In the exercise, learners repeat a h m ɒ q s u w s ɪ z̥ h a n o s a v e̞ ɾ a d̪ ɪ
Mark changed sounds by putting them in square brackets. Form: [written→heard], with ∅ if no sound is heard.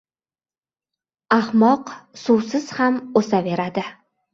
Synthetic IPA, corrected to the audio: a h m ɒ q s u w s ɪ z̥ h a [n→m] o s a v e̞ ɾ a d̪ ɪ